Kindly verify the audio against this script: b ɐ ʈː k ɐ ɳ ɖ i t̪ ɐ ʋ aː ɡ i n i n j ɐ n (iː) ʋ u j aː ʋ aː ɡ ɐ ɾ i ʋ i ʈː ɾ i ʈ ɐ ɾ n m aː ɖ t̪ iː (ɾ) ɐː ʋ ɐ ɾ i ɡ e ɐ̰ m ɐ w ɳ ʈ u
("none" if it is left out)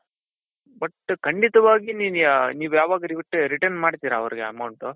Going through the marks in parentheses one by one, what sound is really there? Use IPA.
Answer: iː, ɾ

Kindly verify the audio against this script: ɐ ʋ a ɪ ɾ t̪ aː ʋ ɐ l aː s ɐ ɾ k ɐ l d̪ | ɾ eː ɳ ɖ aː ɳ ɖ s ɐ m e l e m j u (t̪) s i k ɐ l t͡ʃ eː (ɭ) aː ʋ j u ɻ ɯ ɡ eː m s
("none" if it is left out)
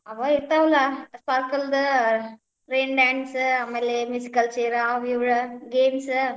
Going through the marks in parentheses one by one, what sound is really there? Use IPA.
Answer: none, ɾ

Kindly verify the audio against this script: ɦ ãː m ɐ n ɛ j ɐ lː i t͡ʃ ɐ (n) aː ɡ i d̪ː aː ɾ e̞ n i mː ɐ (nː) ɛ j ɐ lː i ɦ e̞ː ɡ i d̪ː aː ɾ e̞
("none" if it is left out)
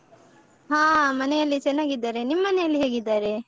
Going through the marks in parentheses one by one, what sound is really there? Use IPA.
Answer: nː, n

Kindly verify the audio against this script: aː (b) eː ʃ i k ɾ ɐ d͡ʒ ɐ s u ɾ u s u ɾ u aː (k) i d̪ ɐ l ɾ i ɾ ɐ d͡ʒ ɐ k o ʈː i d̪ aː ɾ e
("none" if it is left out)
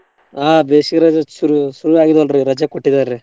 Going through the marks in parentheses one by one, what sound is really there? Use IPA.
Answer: b, ɡ

